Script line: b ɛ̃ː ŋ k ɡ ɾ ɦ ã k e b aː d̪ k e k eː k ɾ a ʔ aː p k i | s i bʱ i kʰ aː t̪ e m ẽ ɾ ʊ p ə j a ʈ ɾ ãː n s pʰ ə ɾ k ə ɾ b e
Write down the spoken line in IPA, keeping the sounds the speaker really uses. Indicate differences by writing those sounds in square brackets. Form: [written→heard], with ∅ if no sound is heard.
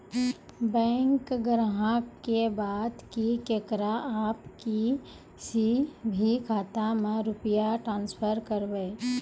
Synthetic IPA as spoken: b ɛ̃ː ŋ k ɡ ɾ ɦ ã k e b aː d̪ k [e→i] k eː k ɾ a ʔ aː p k i | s i bʱ i kʰ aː t̪ [e→a] m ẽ ɾ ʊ p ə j a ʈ ɾ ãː n s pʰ ə ɾ k ə ɾ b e